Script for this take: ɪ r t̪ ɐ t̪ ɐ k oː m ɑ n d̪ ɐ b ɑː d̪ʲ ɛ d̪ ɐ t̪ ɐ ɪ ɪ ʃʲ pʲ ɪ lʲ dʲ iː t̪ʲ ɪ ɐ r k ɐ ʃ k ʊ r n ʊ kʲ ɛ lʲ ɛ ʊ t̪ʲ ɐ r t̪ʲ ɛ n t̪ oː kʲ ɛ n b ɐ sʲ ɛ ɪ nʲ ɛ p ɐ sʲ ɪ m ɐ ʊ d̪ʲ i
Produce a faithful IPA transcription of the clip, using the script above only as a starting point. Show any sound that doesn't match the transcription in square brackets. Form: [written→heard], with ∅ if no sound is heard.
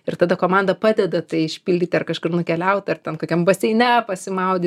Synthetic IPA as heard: ɪ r t̪ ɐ [t̪→d̪] ɐ k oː m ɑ n d̪ ɐ [b→p] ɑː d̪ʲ ɛ d̪ ɐ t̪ ɐ ɪ ɪ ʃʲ pʲ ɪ lʲ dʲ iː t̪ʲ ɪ ɐ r k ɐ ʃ k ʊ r n ʊ kʲ ɛ lʲ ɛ ʊ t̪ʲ ɐ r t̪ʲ ɛ n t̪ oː kʲ ɛ [n→m] b ɐ sʲ ɛ ɪ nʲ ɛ p ɐ sʲ ɪ m ɐ ʊ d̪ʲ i